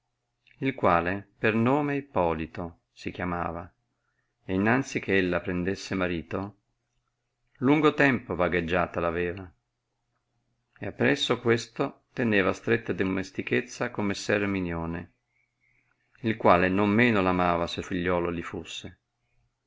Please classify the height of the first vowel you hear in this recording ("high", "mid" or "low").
high